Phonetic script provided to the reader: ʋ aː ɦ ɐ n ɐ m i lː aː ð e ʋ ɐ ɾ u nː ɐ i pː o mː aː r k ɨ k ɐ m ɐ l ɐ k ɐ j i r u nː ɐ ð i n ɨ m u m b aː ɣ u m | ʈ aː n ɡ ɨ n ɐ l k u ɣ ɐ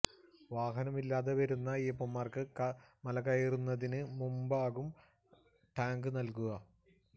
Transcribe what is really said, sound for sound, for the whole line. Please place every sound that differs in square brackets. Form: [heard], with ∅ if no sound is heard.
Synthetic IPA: ʋ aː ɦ ɐ n ɐ m i lː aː ð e ʋ ɐ ɾ u nː ɐ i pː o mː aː r k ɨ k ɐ m ɐ l ɐ k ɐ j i r u nː ɐ ð i n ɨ m u m b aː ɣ u m | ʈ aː [ŋ] ɡ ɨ n ɐ l k u ɣ ɐ